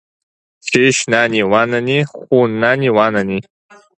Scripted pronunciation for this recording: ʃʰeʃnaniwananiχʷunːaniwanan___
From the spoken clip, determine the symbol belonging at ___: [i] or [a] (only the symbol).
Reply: i